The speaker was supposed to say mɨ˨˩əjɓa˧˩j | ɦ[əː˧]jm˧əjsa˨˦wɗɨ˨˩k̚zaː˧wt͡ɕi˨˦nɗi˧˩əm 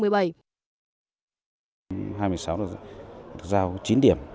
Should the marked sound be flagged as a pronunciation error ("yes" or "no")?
yes